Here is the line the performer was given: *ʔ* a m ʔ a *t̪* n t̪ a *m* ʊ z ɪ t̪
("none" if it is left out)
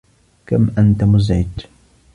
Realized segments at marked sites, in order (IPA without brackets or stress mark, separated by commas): k, none, m